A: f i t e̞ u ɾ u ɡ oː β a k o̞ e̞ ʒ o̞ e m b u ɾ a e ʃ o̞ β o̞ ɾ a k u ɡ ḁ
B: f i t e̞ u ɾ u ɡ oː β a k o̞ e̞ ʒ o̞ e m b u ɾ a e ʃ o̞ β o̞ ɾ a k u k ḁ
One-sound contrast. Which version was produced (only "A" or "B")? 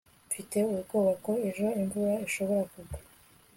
A